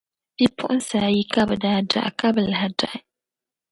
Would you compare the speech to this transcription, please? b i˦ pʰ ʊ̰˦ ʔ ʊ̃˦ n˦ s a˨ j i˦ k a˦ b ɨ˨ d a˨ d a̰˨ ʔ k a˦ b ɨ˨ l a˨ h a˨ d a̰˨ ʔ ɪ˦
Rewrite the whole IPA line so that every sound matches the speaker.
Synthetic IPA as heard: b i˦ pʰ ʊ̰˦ ʔ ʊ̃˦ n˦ s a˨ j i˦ k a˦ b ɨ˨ d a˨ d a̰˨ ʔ k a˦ b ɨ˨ l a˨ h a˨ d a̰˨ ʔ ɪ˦